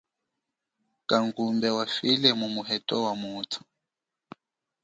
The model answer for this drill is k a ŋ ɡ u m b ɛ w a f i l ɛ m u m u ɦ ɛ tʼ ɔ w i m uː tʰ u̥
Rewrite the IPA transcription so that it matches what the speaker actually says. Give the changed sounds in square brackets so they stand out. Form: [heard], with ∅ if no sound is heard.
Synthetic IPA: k a ŋ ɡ u m b ɛ w a f i l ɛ m u m u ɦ ɛ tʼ ɔ w [a] m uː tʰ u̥